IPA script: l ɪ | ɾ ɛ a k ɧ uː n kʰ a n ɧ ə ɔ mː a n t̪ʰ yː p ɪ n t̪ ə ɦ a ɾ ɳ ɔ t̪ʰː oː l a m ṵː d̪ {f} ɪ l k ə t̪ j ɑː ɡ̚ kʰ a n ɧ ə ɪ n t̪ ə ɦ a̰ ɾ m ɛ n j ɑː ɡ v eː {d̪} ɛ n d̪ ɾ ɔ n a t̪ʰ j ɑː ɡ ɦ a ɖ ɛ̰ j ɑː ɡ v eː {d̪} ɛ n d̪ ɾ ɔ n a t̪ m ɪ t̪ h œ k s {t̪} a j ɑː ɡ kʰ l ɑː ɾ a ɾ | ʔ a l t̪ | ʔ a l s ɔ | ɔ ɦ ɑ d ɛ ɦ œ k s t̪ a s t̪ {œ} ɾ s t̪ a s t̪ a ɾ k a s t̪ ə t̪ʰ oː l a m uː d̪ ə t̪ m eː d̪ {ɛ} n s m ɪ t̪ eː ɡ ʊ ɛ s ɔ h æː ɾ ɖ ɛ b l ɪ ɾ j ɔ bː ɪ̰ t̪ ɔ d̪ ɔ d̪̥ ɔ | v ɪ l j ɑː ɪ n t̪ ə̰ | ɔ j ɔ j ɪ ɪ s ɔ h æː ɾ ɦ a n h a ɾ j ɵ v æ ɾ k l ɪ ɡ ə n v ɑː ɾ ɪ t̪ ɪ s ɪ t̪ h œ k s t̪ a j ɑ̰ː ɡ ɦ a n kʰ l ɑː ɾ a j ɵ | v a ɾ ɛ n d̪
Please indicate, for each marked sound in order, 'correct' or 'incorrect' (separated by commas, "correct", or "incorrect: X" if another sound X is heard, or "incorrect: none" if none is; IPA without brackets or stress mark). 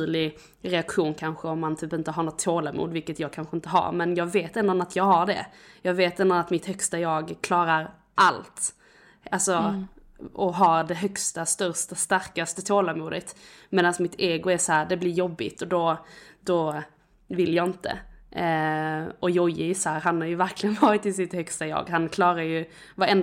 incorrect: v, incorrect: t̪, incorrect: t̪, correct, correct, incorrect: a